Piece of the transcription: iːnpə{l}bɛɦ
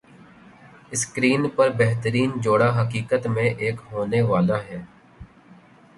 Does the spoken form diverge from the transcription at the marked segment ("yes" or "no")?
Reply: yes